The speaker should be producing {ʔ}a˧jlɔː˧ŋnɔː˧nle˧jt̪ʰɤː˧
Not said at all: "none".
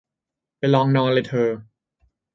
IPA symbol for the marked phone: p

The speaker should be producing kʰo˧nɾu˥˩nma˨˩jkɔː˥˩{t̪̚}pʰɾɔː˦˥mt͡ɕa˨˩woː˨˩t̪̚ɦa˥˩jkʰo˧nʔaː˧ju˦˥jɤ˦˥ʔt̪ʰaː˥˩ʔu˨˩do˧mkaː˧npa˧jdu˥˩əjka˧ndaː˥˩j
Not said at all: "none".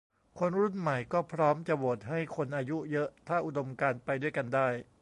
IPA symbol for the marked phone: none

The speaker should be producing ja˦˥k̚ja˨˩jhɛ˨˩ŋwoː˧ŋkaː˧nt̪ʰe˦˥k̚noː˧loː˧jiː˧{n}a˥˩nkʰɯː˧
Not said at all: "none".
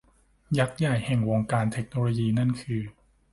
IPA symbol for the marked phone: n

